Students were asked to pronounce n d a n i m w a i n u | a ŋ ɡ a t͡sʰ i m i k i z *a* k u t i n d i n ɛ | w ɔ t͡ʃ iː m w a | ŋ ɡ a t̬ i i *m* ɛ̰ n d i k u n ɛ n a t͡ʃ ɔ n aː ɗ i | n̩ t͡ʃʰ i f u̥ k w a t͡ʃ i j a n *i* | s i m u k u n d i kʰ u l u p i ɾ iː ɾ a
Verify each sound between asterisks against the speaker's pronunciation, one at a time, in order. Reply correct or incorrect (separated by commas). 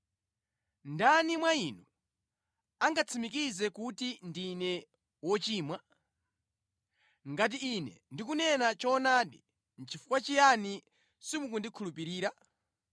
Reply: incorrect, incorrect, correct